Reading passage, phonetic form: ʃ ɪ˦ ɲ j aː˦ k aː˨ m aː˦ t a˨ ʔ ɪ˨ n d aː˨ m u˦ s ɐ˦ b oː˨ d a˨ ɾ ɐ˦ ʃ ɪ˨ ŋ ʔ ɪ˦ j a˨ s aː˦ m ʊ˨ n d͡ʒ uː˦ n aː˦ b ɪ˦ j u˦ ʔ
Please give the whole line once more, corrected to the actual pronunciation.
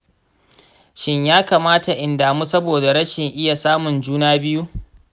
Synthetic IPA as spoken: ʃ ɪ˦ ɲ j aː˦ k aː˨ m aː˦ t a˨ ʔ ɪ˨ n d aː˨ m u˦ s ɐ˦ b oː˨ d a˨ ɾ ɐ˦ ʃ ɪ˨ ŋ ʔ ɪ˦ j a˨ s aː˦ m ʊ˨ n d͡ʒ uː˦ n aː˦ b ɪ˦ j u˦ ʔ

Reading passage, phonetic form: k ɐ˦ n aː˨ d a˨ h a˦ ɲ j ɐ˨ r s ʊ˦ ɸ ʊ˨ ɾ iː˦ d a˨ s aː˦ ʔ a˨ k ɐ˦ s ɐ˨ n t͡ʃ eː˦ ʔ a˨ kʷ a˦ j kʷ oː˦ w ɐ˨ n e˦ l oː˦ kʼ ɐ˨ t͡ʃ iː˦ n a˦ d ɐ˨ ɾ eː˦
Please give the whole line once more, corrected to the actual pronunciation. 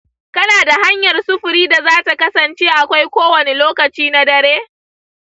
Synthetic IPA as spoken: k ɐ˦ n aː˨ d a˨ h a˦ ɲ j ɐ˨ r s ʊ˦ ɸ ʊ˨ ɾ iː˦ d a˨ z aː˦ t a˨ k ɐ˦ s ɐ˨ n t͡ʃ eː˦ ʔ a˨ kʷ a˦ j kʷ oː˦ w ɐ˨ n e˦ l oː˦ k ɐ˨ t͡ʃ iː˦ n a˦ d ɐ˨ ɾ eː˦

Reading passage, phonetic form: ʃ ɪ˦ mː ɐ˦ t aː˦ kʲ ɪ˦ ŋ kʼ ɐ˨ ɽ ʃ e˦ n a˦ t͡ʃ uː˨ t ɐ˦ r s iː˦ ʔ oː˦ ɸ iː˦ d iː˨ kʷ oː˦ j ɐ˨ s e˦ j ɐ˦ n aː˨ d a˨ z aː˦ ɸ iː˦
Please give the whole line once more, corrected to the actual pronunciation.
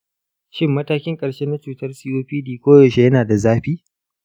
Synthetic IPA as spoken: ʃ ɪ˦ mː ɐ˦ t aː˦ kʲ ɪ˦ ŋ kʼ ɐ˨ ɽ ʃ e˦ n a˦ t͡ʃ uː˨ t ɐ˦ r s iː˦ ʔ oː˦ ɸ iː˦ d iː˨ kʷ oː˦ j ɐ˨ ʃ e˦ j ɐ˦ n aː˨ d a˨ z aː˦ ɸ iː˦

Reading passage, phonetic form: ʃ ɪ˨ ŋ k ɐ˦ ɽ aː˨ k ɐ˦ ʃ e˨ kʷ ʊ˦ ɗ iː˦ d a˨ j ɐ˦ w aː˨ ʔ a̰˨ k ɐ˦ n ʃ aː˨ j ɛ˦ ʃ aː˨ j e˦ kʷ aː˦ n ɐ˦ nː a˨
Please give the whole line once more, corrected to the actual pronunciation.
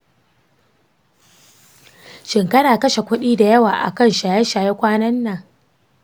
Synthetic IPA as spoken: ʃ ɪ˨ ŋ k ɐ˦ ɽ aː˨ k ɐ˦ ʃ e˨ kʷ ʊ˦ ɗ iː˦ d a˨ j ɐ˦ w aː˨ ʔ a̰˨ k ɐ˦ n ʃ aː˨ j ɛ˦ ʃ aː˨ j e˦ kʷ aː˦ n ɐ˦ nː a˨

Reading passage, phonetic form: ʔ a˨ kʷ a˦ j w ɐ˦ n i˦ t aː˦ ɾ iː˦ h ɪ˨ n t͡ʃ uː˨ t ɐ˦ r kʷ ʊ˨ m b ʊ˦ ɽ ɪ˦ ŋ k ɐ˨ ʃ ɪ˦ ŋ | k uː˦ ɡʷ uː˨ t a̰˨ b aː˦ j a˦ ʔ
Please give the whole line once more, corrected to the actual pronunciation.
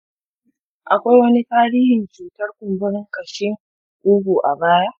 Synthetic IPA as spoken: ʔ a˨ kʷ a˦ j w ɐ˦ n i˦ t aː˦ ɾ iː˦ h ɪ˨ n t͡ʃ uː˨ t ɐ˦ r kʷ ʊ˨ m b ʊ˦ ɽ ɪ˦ ŋ k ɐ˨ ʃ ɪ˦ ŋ | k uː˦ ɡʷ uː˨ ʔ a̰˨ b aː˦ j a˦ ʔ

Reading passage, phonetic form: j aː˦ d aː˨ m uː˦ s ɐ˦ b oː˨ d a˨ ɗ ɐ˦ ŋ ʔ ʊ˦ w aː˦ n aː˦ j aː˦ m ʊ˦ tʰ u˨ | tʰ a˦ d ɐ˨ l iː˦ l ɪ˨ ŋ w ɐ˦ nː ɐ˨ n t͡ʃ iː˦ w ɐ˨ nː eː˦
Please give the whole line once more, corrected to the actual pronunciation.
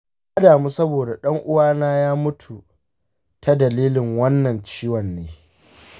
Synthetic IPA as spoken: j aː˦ d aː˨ m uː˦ s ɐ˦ b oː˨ d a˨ ɗ ɐ˦ ŋ ʔ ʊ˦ w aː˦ n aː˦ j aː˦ m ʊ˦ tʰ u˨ | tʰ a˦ d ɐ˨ l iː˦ l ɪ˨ ŋ w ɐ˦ nː ɐ˨ n t͡ʃ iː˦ w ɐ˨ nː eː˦

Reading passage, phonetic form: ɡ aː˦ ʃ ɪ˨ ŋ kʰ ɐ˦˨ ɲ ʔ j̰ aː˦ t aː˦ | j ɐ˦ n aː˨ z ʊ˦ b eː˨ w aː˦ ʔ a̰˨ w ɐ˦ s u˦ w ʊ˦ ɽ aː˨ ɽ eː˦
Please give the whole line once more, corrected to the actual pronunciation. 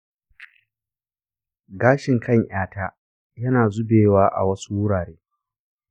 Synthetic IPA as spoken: ɡ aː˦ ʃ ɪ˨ ŋ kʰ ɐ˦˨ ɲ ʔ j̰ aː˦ t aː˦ | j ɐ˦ n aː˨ z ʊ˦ b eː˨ w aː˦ ʔ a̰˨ w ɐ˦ s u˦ w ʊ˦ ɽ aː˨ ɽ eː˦

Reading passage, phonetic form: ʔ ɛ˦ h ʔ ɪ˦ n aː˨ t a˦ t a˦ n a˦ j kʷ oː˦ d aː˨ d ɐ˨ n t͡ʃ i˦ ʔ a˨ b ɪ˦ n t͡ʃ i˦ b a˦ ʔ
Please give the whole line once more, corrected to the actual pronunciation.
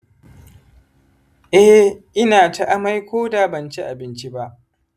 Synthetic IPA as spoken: ʔ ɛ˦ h ʔ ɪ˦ n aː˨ t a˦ ʔ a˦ m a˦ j kʷ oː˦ d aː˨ b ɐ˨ n t͡ʃ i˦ ʔ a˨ b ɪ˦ n t͡ʃ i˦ b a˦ ʔ

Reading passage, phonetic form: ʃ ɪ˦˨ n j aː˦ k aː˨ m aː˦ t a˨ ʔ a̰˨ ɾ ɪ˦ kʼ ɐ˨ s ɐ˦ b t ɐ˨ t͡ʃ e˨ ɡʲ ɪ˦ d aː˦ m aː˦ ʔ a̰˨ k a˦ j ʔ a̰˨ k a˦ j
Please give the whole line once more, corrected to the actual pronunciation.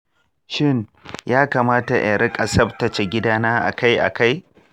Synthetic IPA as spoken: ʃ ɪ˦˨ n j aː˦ k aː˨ m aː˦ t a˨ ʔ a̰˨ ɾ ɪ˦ kʼ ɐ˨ s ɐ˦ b t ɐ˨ t͡ʃ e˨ ɡʲ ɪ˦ d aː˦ n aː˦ ʔ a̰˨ k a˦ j ʔ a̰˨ k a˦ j

